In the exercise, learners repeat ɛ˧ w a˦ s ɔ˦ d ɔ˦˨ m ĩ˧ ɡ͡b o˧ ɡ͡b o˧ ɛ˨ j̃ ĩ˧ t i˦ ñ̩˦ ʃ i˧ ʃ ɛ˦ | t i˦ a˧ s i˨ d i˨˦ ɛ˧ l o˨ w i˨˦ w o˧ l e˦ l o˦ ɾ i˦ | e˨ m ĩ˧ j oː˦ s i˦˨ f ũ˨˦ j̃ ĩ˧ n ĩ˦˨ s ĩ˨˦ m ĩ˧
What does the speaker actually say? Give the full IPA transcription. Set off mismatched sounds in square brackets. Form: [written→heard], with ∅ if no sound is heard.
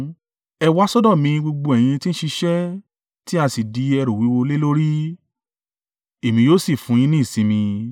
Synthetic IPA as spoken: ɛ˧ w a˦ s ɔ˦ d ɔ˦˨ m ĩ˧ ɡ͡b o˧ ɡ͡b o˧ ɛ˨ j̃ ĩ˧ t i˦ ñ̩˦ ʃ i˧ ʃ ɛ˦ | t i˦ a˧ s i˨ d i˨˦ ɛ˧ [l→ɾ] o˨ w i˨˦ w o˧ l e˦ l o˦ ɾ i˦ | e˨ m ĩ˧ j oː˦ s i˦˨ f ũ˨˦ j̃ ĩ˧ n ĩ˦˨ s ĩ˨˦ m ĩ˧